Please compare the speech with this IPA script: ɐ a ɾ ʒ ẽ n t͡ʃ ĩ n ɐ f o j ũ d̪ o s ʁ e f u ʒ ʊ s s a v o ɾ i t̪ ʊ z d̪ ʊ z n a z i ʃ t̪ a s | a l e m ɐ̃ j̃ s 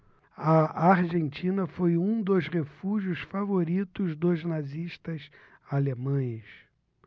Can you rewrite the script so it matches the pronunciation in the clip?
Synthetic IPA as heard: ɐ a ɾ ʒ ẽ n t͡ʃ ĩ n ɐ f o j ũ d̪ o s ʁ e f u ʒ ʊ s f a v o ɾ i t̪ ʊ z d̪ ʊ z n a z i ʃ t̪ ɐ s | a l e m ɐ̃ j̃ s